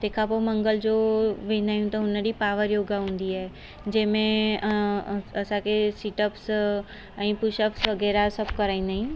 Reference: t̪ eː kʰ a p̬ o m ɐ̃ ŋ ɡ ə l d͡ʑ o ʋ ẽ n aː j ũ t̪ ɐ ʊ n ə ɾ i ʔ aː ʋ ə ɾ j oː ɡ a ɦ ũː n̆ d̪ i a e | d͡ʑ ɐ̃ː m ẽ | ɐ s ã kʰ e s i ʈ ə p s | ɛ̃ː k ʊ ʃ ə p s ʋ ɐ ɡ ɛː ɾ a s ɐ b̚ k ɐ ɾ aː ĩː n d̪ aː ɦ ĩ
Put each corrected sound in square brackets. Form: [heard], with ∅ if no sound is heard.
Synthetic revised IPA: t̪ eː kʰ a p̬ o m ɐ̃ ŋ ɡ ə l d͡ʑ o ʋ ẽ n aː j ũ t̪ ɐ ʊ n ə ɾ i [p] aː ʋ ə ɾ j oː ɡ a ɦ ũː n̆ d̪ i a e | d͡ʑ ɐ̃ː m ẽ | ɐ s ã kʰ e s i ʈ ə p s | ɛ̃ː [p] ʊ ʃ ə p s ʋ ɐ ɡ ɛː ɾ a s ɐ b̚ k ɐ ɾ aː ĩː n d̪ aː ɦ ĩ